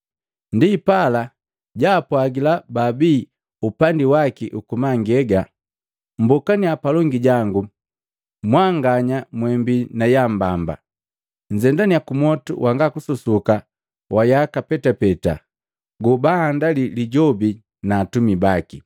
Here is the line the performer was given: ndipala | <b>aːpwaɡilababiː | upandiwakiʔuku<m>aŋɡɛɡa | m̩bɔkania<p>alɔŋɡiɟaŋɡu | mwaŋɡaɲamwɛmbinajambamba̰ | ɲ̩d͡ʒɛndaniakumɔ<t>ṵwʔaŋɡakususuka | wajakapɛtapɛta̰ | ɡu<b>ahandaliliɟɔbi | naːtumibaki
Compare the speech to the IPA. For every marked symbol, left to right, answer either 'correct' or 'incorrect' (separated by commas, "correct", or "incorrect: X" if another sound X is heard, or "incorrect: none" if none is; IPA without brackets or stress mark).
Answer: incorrect: ɟ, correct, correct, correct, correct